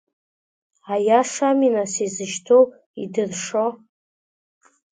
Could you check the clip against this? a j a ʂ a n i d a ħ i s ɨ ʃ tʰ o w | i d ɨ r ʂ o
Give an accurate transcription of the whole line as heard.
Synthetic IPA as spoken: a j a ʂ a m i n a s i z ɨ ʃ tʰ o w | i d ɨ r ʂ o